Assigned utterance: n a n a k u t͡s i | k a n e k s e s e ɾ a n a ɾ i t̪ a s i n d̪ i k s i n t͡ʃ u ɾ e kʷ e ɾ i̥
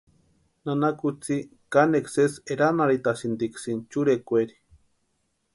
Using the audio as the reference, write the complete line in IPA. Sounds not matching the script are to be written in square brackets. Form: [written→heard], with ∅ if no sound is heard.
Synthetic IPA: n a n a k u t͡s i | k a n e k s e s e ɾ a n a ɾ i t̪ a s i n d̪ i k s i n t͡ʃ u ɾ e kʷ e ɾ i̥

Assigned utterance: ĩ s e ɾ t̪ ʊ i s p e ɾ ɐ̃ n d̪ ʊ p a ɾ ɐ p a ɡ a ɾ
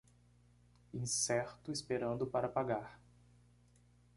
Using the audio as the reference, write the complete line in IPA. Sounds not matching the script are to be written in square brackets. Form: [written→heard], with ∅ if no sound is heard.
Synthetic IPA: ĩ s [e→ɛ] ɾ t̪ ʊ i s p e ɾ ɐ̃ n d̪ ʊ p a ɾ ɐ p a ɡ a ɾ

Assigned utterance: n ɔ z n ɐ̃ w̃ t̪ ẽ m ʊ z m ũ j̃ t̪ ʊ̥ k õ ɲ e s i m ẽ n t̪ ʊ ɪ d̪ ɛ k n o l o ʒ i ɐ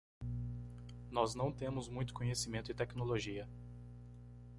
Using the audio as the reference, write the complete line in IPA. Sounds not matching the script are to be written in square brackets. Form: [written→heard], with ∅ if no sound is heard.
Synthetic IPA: n ɔ z n ɐ̃ w̃ t̪ ẽ m ʊ z m ũ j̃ t̪ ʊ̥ k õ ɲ e s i m ẽ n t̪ ʊ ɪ [d̪→t̪] ɛ k n o l o ʒ i ɐ

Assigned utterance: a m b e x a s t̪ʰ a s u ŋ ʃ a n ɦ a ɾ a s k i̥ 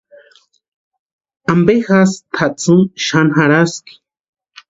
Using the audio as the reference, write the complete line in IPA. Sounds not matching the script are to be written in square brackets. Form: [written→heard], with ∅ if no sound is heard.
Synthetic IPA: a m b e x a s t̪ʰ a [s→t͡s] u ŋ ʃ a n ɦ a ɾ a s k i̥

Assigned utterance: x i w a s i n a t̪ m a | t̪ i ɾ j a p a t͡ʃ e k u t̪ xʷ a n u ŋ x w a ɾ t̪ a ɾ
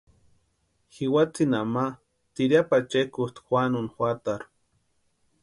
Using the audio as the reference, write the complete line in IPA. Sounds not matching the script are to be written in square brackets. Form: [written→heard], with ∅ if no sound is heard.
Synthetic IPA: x i w a [s→t͡s] i n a [t̪→∅] m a | t̪ i ɾ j a p a t͡ʃ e k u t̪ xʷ a n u [ŋ→n] x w a [ɾ→∅] t̪ a ɾ

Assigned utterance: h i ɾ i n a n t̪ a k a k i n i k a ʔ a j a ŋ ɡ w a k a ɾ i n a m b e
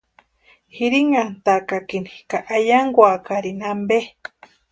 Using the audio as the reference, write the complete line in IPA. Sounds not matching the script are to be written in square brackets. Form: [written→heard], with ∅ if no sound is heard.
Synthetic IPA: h i ɾ i [n→ŋ] a n t̪ a k a k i n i k a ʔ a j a ŋ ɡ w a k a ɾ i n a m b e

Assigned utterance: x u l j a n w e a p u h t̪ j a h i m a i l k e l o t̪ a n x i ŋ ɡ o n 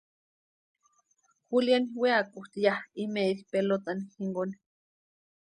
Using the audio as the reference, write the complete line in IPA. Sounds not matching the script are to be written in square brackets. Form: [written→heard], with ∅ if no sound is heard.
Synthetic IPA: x u l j a n w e a [p→k] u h t̪ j a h i m [a→e] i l [k→p] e l o t̪ a n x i ŋ ɡ o n

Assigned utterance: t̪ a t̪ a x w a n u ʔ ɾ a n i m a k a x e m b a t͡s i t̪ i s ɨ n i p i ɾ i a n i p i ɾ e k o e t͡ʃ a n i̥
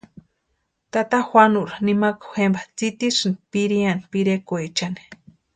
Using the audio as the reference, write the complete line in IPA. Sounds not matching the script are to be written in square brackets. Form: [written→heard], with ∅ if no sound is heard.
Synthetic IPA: t̪ a t̪ a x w a n u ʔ ɾ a n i m a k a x e m b a t͡s i t̪ i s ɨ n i p i ɾ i a n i p i ɾ e k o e t͡ʃ a n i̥

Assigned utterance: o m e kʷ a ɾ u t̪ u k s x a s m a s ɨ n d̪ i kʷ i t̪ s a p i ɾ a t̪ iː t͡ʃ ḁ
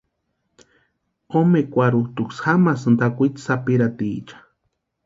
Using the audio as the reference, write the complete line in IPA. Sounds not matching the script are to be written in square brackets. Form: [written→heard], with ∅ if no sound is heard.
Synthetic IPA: o m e kʷ a ɾ u t̪ u k s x a [s→∅] m a s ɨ n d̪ [i→a] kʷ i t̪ s a p i ɾ a t̪ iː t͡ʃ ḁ

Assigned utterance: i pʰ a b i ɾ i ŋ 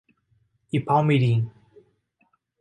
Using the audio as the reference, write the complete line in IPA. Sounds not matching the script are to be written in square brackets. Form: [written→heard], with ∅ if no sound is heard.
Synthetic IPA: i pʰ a [b→m] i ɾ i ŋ

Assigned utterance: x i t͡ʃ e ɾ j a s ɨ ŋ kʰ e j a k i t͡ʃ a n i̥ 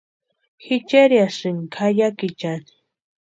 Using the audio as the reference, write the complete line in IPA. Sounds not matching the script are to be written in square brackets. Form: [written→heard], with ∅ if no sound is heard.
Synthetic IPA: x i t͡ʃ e ɾ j a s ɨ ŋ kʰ [e→a] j a k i t͡ʃ a n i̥

